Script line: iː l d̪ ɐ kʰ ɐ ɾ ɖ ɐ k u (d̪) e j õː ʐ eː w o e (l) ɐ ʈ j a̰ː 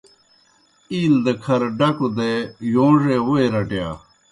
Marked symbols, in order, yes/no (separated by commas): yes, no